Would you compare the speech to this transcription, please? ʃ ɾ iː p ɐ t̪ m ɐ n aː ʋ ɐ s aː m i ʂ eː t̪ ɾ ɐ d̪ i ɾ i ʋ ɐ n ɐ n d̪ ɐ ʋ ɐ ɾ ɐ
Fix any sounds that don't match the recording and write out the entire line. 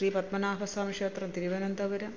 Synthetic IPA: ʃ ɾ iː p ɐ t̪ m ɐ n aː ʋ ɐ s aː m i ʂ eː t̪ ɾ ɐ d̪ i ɾ i ʋ ɐ n ɐ n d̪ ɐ ʋ ɐ ɾ ɐ